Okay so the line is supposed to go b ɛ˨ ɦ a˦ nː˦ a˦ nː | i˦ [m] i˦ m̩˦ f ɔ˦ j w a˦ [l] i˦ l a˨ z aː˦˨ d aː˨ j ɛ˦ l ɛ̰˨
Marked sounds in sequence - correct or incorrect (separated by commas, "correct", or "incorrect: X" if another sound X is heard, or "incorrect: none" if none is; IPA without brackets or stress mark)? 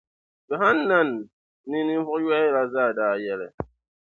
incorrect: n, incorrect: none